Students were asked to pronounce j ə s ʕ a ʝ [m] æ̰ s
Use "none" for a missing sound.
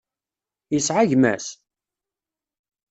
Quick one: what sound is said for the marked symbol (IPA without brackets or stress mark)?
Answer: m